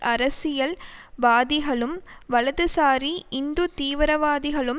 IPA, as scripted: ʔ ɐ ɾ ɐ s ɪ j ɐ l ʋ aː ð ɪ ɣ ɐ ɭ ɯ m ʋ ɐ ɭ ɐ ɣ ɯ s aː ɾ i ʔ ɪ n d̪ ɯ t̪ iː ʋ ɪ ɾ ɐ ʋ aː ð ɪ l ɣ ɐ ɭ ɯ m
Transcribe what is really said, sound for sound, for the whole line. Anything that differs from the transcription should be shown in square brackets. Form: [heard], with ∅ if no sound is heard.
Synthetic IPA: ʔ ɐ ɾ ɐ s ɪ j ɐ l ʋ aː ð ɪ ɣ ɐ ɭ ɯ m ʋ ɐ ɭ ɐ [ð] ɯ s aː ɾ i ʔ ɪ n d̪ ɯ t̪ iː ʋ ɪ ɾ ɐ ʋ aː ð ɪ [∅] ɣ ɐ ɭ ɯ m